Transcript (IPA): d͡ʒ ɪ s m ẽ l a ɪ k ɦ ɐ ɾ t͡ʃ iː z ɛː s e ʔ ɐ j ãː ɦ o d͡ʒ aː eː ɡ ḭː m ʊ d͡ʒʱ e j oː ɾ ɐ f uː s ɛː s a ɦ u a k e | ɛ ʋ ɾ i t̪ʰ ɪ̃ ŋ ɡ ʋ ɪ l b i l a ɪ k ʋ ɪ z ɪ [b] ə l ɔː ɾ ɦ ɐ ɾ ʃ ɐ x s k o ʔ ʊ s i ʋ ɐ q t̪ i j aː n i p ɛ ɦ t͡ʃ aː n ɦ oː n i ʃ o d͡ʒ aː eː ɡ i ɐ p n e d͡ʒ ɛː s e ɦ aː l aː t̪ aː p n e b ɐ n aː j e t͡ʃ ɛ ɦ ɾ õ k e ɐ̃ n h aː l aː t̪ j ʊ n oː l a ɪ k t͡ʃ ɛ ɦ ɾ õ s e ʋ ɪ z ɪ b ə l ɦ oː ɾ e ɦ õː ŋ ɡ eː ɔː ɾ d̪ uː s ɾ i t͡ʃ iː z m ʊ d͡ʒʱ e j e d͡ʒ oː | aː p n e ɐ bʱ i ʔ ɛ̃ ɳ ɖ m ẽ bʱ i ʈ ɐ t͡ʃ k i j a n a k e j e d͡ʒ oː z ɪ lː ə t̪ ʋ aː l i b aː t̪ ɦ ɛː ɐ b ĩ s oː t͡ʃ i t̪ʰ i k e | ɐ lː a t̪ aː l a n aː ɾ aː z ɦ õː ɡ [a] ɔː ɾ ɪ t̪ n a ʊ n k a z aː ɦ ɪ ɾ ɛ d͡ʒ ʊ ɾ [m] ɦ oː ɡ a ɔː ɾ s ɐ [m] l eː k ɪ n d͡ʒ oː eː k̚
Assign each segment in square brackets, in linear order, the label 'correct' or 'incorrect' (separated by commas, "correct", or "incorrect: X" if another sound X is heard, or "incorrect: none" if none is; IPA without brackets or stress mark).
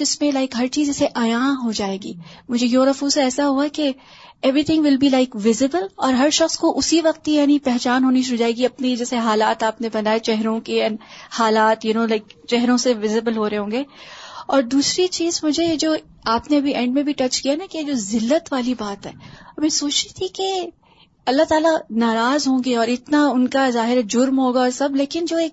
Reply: correct, incorrect: e, correct, incorrect: b